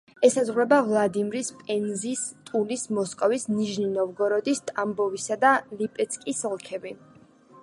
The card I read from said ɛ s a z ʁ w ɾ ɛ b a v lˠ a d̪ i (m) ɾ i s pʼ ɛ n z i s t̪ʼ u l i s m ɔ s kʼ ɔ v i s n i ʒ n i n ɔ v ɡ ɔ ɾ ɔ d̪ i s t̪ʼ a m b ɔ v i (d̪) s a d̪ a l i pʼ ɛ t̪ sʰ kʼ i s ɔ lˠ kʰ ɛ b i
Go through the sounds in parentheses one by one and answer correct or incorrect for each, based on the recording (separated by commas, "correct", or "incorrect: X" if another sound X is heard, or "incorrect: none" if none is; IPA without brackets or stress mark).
correct, incorrect: none